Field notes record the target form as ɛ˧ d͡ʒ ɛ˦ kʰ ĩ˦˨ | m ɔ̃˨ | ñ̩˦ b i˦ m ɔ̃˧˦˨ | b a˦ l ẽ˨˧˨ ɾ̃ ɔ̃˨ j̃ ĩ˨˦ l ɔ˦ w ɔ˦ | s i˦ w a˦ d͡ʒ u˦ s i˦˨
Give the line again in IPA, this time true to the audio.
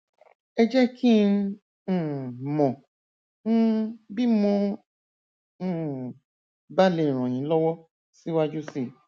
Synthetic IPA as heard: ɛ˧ d͡ʒ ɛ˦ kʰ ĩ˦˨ | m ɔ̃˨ | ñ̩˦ b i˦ m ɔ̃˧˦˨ | b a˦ l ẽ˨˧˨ ɾ̃ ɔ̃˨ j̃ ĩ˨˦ l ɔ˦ w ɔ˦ | s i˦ w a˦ d͡ʒ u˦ s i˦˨

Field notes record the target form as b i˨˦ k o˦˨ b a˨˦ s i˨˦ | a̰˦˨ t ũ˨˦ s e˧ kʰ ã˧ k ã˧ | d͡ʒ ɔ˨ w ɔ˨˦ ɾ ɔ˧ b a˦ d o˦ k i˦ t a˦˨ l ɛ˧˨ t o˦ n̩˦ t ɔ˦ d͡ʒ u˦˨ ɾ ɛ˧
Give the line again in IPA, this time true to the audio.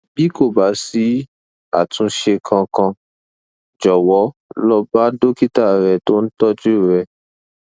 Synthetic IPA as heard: b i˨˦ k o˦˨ b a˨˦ s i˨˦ | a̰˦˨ t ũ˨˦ ʃ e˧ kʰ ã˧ k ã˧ | d͡ʒ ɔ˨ w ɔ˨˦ l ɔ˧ b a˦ d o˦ k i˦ t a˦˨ ɾ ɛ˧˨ t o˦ n̩˦ t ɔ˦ d͡ʒ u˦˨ ɾ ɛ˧

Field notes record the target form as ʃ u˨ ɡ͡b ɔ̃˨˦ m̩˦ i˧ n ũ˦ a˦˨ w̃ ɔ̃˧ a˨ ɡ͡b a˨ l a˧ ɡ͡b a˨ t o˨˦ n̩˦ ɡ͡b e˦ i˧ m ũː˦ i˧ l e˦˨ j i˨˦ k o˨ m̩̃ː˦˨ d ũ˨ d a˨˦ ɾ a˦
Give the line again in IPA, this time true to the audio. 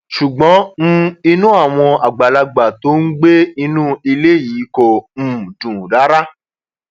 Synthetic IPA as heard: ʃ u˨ ɡ͡b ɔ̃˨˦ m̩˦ i˧ n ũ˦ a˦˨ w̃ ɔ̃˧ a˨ ɡ͡b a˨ l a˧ ɡ͡b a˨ t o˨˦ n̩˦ ɡ͡b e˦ i˧ n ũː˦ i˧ l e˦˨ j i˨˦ k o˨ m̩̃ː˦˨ d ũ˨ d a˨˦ ɾ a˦

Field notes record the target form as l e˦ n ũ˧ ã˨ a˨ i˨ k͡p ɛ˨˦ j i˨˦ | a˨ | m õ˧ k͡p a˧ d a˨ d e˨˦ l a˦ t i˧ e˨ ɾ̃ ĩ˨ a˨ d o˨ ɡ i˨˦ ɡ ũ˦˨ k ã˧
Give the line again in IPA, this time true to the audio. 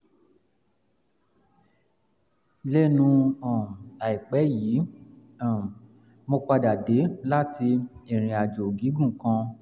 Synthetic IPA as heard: l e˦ n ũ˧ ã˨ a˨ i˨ k͡p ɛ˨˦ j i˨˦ | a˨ | m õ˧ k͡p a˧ d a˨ d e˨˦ l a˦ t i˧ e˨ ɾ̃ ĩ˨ a˨ d͡ʒ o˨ ɡ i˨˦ ɡ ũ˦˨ k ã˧

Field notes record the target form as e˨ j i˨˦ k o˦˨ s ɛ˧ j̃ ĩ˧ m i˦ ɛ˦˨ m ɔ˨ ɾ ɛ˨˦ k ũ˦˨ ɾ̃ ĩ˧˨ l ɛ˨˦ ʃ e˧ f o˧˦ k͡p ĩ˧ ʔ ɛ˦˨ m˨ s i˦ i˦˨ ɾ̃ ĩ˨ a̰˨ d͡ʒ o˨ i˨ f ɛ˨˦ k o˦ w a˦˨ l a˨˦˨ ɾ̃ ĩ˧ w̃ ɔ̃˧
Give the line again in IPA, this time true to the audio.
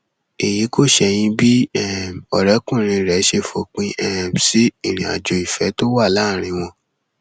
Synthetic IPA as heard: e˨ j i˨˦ k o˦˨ ʃ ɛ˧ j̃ ĩ˧ b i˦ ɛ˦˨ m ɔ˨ ɾ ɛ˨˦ k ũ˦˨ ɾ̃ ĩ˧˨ ɾ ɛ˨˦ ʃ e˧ f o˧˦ k͡p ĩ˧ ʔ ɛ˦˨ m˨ s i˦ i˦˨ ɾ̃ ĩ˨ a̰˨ d͡ʒ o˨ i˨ f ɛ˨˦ t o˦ w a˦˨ l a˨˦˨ ɾ̃ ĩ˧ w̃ ɔ̃˧

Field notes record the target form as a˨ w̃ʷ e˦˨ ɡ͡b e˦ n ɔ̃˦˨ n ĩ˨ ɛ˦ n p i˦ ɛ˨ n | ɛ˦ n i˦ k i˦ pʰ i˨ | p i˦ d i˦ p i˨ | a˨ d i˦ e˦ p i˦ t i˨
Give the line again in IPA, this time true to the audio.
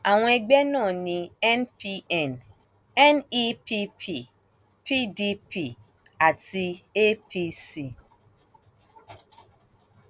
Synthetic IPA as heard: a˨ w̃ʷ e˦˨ ɡ͡b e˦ n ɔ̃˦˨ n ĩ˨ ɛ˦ n p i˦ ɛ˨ n | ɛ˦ n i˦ p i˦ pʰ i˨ | p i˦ d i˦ p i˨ | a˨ t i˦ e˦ p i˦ s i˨

